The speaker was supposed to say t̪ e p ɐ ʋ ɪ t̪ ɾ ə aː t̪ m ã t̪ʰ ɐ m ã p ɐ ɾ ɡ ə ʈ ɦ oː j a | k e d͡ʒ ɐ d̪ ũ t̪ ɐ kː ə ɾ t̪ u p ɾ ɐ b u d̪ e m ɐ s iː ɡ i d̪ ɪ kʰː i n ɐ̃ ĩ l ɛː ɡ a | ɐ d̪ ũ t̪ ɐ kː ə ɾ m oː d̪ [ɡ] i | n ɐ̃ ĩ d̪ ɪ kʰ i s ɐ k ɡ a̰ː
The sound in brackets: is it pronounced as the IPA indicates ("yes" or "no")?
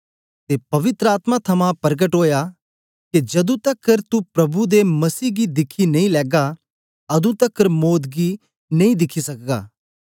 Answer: yes